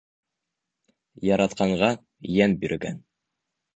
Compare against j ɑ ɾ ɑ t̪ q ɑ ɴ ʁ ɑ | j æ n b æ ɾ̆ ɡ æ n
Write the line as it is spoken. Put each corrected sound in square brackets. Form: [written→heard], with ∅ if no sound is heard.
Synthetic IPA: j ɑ ɾ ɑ t̪ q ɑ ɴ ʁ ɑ | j æ n b [æ→i] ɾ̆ ɡ æ n